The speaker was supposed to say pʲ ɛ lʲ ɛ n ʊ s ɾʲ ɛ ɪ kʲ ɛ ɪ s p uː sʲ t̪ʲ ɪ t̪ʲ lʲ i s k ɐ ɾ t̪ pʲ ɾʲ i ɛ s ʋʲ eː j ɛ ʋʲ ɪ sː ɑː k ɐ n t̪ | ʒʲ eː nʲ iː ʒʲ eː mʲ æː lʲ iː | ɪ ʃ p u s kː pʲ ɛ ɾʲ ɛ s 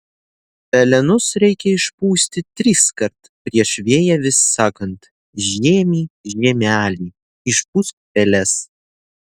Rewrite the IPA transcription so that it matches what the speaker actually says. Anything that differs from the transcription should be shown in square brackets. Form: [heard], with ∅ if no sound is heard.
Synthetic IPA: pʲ ɛ lʲ ɛ n ʊ s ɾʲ ɛ ɪ kʲ ɛ ɪ [ʃ] p uː sʲ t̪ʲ ɪ t̪ʲ [ɾʲ] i s k ɐ ɾ t̪ pʲ ɾʲ i ɛ [ʃ] ʋʲ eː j ɛ ʋʲ ɪ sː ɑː k ɐ n t̪ | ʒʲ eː [mʲ] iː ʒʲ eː mʲ æː lʲ iː | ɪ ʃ p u s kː pʲ ɛ [lʲ] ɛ s